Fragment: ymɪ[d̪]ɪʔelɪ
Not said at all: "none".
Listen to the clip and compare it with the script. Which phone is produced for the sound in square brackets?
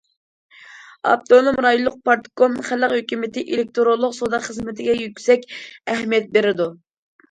t̪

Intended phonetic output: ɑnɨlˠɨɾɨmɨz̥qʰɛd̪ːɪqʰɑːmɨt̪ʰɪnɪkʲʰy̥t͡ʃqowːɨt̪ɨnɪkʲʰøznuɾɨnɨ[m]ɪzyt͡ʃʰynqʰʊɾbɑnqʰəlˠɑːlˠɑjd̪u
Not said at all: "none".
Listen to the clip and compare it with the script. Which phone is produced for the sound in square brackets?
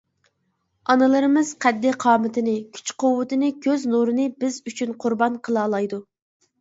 b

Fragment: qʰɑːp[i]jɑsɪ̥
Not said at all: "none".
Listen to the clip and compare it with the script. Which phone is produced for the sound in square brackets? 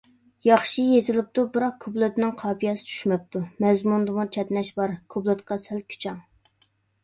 i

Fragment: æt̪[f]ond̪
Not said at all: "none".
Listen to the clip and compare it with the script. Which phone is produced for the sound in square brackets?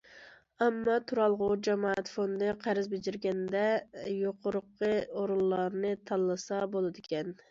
f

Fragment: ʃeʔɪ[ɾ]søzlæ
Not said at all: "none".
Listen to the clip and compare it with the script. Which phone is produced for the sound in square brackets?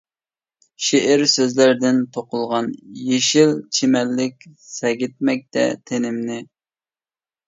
ɾ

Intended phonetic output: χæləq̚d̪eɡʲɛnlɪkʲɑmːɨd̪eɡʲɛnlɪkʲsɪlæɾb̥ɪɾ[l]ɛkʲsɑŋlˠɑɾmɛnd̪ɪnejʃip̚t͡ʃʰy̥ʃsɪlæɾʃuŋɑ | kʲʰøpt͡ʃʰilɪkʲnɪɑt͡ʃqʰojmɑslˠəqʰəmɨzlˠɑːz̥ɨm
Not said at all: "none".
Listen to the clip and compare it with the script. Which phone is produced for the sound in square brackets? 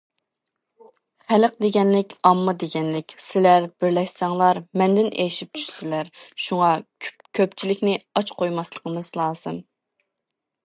l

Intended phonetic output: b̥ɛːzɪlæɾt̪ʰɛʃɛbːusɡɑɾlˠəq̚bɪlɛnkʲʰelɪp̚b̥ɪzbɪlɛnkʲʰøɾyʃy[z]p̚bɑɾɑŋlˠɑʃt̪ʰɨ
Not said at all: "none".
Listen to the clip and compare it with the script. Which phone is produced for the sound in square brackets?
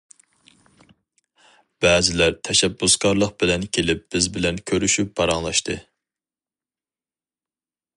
none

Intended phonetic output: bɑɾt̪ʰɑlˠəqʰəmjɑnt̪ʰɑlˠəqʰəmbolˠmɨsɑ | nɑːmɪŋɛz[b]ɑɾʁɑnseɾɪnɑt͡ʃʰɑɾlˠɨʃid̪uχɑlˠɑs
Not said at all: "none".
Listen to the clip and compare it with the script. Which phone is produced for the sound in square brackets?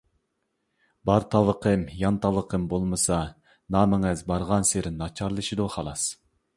b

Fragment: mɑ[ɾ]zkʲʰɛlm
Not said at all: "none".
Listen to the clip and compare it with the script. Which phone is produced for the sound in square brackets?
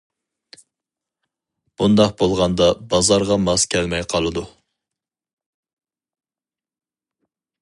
none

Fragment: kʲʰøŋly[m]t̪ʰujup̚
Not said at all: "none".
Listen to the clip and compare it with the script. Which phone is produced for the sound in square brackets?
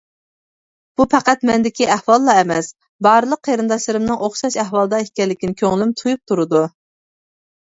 m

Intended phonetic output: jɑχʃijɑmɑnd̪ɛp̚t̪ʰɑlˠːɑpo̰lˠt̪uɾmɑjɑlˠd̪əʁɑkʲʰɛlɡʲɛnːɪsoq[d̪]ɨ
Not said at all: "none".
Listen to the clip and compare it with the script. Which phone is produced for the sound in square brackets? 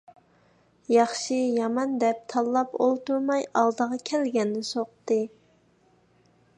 t̪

